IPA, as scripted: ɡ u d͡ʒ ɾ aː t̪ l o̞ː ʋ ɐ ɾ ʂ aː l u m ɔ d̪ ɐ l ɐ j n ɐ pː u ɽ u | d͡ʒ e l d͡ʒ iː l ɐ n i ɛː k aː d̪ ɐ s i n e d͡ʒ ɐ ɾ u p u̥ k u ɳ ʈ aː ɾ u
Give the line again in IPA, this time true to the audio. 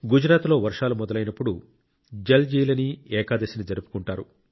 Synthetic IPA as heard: ɡ u d͡ʒ ɾ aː t̪ l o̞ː ʋ ɐ ɾ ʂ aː l u m ɔ d̪ ɐ l ɐ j n ɐ pː u ɽ u | d͡ʒ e l d͡ʒ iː l ɐ n i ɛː k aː d̪ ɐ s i n i d͡ʒ ɐ ɾ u p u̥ k u ɳ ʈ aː ɾ u